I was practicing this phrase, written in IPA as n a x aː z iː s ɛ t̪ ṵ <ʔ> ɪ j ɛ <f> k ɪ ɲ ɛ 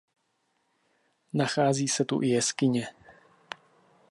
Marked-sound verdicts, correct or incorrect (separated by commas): correct, incorrect